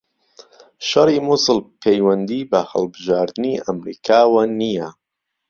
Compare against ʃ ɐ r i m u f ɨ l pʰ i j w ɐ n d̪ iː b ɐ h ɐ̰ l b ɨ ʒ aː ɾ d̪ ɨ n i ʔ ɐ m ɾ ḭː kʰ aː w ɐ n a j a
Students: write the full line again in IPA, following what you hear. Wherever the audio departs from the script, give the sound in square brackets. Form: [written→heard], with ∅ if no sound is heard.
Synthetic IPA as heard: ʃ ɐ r i m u [f→s] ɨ l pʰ [i→e] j w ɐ n d̪ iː b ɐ h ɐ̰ l b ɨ ʒ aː ɾ d̪ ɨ n i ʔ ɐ m ɾ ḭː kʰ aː w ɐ n [a→i] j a